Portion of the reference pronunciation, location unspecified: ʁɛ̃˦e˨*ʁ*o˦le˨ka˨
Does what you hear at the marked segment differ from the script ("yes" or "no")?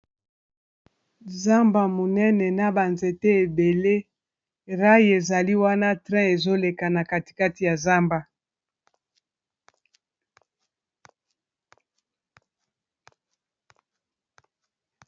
yes